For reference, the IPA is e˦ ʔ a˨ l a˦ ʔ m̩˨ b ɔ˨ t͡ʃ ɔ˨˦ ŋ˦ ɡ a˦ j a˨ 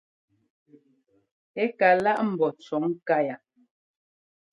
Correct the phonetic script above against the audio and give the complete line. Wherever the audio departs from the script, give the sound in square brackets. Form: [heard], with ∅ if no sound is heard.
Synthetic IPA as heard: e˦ [k] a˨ l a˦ ʔ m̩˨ b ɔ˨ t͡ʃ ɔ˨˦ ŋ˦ [k] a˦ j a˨